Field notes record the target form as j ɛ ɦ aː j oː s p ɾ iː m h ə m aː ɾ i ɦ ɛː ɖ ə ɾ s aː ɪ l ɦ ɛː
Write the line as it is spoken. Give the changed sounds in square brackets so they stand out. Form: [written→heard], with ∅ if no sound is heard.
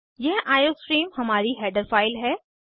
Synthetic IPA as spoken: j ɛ ɦ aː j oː s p ɾ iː m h [ə→ɐ] m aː ɾ i ɦ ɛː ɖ ə ɾ [s→f] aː ɪ l ɦ ɛː